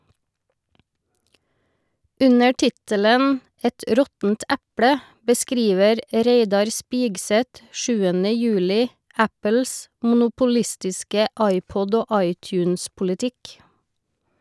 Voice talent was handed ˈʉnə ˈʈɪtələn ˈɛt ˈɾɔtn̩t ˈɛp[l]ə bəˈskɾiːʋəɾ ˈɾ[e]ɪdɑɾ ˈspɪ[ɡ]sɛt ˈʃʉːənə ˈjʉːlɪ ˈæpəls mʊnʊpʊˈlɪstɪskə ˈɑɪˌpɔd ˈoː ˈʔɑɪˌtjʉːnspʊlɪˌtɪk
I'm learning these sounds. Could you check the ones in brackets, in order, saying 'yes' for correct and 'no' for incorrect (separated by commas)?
no, yes, yes